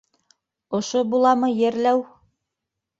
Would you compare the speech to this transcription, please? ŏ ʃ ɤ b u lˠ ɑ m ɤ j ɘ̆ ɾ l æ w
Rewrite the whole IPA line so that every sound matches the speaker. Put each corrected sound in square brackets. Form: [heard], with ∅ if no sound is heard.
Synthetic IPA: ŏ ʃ [o] b u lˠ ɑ m ɤ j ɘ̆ ɾ l æ w